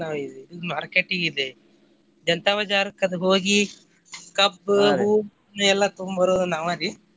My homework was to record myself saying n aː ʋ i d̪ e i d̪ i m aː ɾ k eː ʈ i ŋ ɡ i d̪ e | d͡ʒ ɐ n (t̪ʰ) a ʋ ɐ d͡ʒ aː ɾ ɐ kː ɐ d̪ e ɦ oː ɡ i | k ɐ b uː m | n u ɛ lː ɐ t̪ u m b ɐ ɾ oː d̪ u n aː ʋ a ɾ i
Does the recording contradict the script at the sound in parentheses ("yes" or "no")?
yes